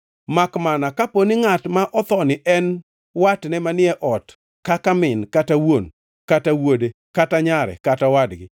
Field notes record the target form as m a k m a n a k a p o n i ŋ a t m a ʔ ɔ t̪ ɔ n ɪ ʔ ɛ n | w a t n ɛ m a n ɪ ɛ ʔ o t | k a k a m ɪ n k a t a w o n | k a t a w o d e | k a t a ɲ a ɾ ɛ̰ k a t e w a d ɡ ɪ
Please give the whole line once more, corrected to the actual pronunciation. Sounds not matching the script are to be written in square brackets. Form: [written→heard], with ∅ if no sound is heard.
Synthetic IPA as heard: m a k m a n a k a p o n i ŋ a t m a ʔ ɔ t̪ ɔ n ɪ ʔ ɛ n | w a t n ɛ m a n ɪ ɛ ʔ [o→ɔ] t | k a k a m ɪ n k a t a w o n | k a t a w o d e | k a t a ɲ a ɾ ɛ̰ k a t [e→a] w a d ɡ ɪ